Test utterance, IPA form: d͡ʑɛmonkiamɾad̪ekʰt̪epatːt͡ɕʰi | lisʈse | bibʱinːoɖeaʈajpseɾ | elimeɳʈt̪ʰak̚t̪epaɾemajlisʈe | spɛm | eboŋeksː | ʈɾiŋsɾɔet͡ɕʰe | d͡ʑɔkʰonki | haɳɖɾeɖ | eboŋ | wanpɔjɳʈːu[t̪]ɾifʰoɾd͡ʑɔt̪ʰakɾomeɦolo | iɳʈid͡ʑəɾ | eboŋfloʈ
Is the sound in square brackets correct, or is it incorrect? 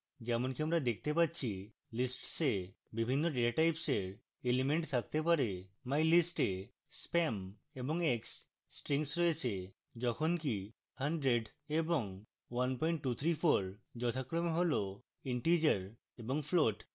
incorrect